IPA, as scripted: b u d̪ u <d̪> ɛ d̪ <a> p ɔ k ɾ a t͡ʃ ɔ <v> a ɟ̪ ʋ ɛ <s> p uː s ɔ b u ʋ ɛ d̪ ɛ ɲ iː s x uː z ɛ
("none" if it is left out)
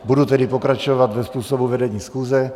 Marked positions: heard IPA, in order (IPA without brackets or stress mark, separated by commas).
t̪, i, ʋ, s